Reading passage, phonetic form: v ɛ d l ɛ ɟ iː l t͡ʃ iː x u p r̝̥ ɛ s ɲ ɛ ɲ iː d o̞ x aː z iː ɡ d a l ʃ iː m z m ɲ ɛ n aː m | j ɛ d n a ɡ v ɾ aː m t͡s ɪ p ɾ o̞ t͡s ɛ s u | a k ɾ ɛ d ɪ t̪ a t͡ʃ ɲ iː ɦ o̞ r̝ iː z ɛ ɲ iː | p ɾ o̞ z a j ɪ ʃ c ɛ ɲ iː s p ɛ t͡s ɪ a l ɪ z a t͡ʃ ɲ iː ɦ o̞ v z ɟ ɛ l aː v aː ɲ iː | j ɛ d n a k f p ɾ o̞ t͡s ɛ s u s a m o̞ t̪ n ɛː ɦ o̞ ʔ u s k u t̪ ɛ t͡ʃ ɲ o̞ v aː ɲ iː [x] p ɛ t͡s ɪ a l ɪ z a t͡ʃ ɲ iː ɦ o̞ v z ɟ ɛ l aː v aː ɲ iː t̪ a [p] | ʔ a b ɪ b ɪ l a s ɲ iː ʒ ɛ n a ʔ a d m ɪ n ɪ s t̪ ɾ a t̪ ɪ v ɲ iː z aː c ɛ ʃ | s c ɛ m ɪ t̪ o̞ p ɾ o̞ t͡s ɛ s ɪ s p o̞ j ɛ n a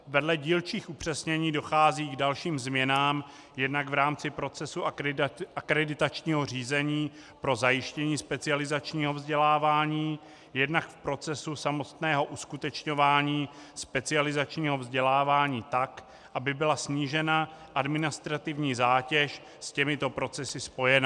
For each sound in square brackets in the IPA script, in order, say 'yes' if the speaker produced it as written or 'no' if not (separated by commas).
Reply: no, no